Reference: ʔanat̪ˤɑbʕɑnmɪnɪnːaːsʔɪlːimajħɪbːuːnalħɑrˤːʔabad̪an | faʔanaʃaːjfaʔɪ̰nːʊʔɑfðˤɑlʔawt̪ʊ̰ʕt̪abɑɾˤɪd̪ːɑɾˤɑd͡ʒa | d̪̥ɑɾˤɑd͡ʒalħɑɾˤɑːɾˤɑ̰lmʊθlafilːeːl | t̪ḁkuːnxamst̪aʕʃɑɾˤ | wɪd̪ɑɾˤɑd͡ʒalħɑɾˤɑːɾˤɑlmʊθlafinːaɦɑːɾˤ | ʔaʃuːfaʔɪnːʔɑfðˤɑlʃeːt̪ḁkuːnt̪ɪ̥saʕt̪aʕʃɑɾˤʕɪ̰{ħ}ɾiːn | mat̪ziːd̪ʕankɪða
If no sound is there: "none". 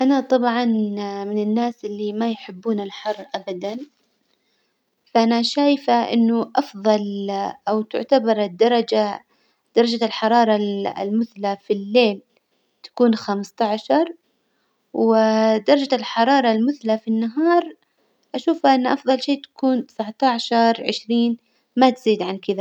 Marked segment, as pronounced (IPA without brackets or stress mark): ʃ